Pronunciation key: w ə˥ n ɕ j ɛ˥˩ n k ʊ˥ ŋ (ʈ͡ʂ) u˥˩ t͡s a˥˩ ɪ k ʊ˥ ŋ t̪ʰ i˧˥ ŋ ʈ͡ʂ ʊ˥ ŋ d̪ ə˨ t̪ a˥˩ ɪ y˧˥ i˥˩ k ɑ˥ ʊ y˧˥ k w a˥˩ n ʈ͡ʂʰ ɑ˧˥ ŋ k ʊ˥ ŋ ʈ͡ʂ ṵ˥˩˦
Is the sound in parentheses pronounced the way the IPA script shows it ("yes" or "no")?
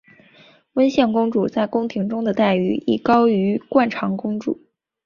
yes